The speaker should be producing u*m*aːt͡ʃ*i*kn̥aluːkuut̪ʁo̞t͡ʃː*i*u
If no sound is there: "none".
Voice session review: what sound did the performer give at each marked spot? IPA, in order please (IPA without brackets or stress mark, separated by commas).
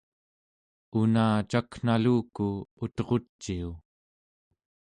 n, a, i